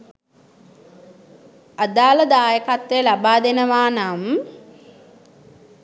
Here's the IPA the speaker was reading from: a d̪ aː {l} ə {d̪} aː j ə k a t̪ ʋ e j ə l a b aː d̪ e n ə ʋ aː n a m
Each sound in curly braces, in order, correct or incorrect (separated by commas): correct, correct